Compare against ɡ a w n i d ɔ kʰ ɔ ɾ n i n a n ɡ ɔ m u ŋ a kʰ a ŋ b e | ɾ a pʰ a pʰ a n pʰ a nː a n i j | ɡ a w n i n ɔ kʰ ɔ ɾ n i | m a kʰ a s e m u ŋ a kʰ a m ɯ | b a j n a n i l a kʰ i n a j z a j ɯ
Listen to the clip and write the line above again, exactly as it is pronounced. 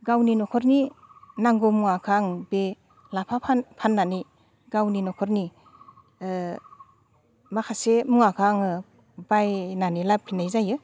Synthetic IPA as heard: ɡ a w n i n ɔ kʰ ɔ ɾ n i n a ŋ ɡ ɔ m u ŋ a kʰ a ŋ b e | l a pʰ a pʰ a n pʰ a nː a n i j | ɡ a w n i n ɔ kʰ ɔ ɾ n i | m a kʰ a s e m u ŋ a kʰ a ŋ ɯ | b a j n a n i l a pʰ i n a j z a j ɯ